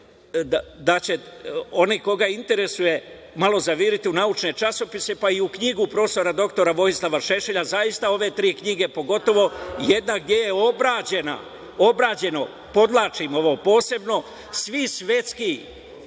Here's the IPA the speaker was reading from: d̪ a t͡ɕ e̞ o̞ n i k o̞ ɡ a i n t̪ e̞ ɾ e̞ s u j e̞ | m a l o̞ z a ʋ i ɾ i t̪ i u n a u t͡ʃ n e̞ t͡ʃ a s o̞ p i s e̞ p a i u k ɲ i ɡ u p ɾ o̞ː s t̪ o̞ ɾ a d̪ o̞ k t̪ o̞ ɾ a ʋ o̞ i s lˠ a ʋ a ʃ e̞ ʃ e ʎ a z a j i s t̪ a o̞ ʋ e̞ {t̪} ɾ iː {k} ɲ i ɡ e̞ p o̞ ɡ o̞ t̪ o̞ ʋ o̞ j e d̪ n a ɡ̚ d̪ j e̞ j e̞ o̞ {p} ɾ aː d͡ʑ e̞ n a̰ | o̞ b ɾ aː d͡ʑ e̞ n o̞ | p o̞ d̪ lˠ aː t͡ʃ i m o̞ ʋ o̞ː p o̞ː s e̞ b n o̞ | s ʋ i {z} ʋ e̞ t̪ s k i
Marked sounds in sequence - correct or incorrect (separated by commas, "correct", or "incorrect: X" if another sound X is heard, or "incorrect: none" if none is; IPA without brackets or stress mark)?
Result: correct, correct, incorrect: b, incorrect: s